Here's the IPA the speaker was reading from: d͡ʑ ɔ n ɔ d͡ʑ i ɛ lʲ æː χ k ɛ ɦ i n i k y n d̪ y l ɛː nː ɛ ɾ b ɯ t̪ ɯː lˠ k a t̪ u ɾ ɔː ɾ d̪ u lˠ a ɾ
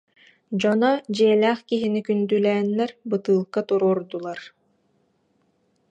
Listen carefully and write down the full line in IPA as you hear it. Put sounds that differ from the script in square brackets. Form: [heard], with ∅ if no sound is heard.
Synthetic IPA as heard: d͡ʑ ɔ n ɔ d͡ʑ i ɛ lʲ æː χ k [i] ɦ i n i k y n d̪ y l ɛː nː ɛ ɾ b ɯ t̪ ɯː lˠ k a t̪ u ɾ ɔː ɾ d̪ u lˠ a ɾ